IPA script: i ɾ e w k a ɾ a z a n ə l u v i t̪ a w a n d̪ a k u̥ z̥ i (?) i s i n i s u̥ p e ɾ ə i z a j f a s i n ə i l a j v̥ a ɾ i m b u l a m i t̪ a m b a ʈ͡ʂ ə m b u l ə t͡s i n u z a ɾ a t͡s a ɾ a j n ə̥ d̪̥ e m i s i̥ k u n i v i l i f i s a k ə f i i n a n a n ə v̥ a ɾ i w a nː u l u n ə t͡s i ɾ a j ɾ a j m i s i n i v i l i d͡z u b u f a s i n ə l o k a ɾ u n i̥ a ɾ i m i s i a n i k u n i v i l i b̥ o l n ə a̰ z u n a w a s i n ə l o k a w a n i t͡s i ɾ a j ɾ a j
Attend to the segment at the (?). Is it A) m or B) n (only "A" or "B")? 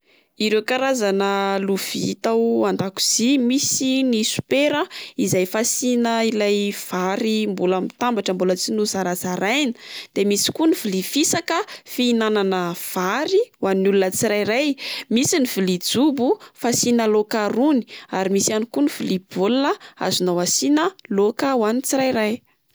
A